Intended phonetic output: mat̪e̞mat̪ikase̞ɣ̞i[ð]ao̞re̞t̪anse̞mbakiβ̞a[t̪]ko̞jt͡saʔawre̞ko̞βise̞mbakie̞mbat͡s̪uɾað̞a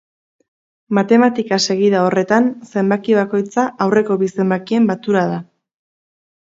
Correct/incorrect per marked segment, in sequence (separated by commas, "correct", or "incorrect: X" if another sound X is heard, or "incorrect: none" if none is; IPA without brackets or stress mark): correct, incorrect: none